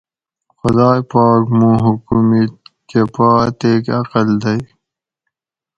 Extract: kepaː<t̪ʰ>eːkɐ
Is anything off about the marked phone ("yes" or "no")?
yes